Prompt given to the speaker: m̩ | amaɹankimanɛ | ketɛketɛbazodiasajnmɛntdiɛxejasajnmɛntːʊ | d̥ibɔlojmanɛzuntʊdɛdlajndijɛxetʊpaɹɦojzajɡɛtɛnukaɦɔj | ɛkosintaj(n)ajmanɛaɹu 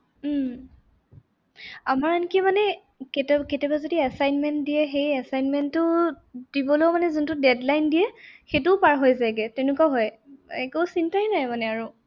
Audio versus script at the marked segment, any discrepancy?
no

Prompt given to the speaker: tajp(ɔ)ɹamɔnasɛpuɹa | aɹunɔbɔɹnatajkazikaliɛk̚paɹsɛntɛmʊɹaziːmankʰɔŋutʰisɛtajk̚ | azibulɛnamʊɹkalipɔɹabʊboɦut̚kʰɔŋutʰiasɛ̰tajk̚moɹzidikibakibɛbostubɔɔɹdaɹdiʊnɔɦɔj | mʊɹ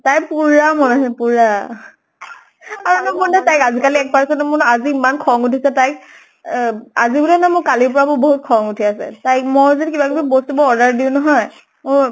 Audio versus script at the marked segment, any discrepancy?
yes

